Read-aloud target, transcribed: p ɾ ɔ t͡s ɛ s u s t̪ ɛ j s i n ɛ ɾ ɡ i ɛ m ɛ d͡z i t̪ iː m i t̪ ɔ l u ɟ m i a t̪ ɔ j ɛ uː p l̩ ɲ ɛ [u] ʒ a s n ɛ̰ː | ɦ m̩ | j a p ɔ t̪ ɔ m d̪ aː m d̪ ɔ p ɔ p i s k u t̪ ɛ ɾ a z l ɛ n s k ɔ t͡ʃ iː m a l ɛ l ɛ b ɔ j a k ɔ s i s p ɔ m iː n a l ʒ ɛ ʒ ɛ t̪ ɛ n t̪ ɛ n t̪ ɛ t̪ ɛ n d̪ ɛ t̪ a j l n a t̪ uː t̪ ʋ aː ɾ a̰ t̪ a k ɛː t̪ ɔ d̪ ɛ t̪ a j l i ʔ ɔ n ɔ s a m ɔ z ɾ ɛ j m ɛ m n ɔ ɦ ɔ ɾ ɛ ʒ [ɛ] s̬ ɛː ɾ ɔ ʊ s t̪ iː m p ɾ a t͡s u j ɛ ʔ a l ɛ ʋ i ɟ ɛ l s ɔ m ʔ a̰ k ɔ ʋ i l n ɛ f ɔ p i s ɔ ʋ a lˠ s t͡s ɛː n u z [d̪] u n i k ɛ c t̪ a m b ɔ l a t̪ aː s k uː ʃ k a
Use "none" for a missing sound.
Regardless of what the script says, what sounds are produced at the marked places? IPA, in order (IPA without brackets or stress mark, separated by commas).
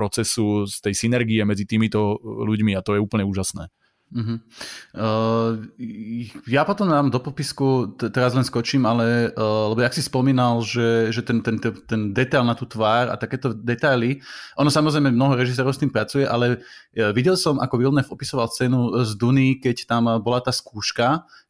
uː, i, d̪